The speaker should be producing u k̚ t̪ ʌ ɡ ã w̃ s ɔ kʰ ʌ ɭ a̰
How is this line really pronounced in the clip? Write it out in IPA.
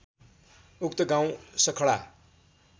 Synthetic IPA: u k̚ t̪ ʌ ɡ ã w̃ s ʌ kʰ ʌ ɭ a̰